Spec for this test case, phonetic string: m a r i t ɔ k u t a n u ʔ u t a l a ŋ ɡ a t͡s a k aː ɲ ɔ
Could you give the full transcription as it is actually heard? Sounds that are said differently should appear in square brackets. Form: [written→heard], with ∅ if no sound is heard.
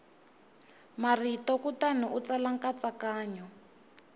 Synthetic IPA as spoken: m a r i t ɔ k u t a n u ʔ u [t→t͡s] a l a ŋ [ɡ→k] a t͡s a k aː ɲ ɔ